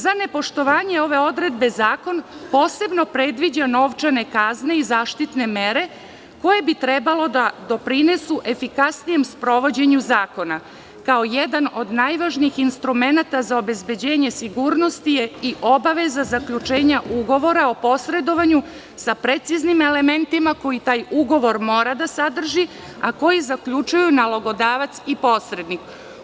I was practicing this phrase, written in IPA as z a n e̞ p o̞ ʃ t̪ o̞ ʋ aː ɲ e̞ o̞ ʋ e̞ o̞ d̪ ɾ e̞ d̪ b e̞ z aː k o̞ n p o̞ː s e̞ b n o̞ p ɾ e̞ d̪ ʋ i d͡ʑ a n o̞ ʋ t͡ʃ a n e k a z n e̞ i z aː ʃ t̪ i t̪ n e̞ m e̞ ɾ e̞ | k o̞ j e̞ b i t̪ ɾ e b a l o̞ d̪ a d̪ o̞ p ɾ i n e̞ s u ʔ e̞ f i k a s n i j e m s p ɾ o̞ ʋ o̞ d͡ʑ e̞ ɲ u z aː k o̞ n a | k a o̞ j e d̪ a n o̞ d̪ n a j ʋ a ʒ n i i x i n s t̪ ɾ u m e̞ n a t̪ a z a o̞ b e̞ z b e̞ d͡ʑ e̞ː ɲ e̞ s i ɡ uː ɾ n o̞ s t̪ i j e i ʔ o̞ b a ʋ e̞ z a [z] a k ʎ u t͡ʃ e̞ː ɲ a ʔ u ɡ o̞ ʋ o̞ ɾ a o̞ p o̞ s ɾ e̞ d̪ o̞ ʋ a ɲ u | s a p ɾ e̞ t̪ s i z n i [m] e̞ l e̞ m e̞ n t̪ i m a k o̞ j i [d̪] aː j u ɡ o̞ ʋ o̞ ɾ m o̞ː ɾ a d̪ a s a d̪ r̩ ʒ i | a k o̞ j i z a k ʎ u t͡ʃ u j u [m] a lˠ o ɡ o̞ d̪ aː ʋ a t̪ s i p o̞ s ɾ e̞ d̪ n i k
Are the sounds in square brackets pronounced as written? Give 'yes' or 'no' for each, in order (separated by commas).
yes, yes, no, no